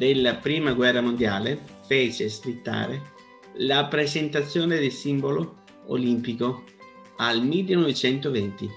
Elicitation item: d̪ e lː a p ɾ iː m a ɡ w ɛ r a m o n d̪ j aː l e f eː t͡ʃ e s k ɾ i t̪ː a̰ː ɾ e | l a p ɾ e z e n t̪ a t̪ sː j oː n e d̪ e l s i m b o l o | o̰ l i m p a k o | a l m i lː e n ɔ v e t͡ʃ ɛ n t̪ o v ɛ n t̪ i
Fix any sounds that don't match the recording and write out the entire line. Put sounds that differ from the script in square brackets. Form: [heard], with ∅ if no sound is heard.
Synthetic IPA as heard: d̪ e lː a p ɾ iː m a ɡ w ɛ [rː] a m o n d̪ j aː l e f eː t͡ʃ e s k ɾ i t̪ː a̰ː ɾ e | l a p ɾ e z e n t̪ a t̪ sː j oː n e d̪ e l s i m b o l o | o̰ l i m p [i] k o | a l m i lː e n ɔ v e t͡ʃ ɛ n t̪ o v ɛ n t̪ i